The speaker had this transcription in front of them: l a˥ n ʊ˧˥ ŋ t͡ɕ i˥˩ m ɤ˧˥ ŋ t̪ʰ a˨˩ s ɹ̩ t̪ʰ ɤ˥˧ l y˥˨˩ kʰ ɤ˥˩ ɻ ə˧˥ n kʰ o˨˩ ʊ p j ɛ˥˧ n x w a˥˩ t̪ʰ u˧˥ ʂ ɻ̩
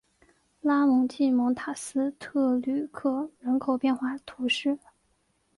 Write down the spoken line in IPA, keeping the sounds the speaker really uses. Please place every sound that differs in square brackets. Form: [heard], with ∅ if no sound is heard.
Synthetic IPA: l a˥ [m] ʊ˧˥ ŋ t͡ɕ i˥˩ m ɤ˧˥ ŋ t̪ʰ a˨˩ s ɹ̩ t̪ʰ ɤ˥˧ l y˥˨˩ kʰ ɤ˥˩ ɻ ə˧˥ n kʰ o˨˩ ʊ p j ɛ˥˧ n x w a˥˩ t̪ʰ u˧˥ ʂ ɻ̩